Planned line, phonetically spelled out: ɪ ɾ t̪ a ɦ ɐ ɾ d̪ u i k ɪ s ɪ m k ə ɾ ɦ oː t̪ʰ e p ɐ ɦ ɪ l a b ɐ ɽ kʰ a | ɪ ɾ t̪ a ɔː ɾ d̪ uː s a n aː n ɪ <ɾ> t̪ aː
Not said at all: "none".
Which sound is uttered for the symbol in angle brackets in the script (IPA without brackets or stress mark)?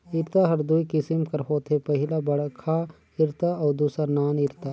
ɾ